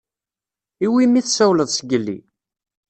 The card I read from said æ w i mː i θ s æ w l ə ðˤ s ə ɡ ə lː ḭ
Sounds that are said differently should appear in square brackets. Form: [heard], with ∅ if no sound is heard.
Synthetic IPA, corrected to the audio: [i] w i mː i θ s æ w l ə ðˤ s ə ɡ ə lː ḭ